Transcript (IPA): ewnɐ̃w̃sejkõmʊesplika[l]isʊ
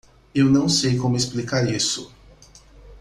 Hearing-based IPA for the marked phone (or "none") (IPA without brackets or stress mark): ɾ